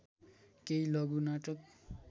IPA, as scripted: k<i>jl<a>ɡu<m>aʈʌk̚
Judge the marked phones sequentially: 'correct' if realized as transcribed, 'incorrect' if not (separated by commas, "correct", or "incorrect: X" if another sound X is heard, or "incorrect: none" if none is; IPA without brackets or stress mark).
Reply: incorrect: e, incorrect: ʌ, incorrect: n